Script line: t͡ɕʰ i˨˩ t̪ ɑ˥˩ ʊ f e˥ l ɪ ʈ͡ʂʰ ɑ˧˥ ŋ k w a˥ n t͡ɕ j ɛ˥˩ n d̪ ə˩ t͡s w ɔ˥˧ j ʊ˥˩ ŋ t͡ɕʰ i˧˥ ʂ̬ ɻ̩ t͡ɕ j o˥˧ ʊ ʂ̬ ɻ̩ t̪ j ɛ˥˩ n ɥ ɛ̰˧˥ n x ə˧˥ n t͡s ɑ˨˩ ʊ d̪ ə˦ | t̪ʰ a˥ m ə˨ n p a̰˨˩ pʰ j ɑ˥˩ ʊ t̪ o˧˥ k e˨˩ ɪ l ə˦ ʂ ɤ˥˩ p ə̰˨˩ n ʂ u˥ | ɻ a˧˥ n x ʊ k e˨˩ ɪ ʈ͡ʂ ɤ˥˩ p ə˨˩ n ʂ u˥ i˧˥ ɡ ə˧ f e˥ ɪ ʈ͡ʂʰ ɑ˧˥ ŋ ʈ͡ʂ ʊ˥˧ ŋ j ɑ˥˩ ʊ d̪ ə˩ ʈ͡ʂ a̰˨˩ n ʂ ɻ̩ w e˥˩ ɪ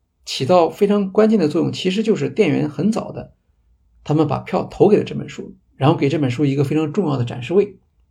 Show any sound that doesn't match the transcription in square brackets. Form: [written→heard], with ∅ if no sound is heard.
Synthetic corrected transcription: t͡ɕʰ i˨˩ t̪ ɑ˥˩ ʊ f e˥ [l→∅] ɪ ʈ͡ʂʰ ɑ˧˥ ŋ k w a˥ n t͡ɕ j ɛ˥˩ n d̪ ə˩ t͡s w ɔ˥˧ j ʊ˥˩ ŋ t͡ɕʰ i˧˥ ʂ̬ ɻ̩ t͡ɕ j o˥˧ ʊ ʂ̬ ɻ̩ t̪ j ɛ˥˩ n ɥ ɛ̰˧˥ n x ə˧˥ n t͡s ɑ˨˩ ʊ d̪ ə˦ | t̪ʰ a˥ m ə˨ n p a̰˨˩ pʰ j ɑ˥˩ ʊ [t̪→t̪ʰ] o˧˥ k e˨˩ ɪ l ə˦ [ʂ→ʈ͡ʂ] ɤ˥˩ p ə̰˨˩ n ʂ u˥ | ɻ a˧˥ n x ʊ k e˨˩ ɪ ʈ͡ʂ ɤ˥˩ p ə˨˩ n ʂ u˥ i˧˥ ɡ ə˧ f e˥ ɪ ʈ͡ʂʰ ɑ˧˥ ŋ ʈ͡ʂ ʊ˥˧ ŋ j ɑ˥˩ ʊ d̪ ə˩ ʈ͡ʂ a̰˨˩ n ʂ ɻ̩ w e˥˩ ɪ